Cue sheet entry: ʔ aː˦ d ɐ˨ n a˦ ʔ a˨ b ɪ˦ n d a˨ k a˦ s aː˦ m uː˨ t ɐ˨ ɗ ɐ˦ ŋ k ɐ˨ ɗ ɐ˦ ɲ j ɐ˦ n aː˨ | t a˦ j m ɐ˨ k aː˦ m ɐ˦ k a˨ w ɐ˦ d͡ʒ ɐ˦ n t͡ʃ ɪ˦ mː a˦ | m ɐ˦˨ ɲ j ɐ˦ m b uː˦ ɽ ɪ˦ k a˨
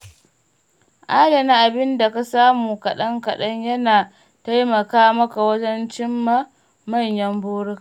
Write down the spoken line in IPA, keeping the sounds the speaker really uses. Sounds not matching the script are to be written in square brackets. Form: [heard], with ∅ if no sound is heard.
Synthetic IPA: ʔ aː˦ d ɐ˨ n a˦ ʔ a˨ b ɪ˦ n d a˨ k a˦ s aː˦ m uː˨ [k] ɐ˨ ɗ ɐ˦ ŋ k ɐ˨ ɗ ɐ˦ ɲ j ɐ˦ n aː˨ | t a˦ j m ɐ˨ k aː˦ m ɐ˦ k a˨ w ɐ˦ d͡ʒ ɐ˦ n t͡ʃ ɪ˦ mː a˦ | m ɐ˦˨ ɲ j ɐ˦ m b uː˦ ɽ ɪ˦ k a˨

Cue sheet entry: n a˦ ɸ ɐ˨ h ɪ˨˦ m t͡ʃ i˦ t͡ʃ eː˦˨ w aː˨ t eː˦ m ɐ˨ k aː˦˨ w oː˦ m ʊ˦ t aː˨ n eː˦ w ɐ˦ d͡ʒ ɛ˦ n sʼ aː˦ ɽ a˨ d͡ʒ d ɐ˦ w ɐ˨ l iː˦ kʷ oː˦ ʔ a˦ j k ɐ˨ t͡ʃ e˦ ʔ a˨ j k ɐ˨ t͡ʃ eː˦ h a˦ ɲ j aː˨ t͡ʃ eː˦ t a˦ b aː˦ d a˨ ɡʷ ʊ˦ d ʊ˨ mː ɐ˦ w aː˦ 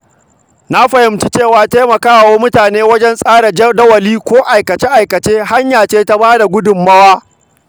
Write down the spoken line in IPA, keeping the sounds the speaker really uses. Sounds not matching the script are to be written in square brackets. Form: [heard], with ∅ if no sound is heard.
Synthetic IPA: n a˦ ɸ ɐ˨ h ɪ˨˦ m t͡ʃ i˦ t͡ʃ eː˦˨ w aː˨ t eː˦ m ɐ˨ k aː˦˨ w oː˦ m ʊ˦ t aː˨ n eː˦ w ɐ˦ d͡ʒ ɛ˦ n sʼ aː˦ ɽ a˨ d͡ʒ d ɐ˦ w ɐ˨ l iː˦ kʷ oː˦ ʔ [a˨] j k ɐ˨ t͡ʃ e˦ ʔ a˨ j k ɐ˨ t͡ʃ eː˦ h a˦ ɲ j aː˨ t͡ʃ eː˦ t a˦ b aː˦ d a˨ ɡʷ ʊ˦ d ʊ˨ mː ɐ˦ w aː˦

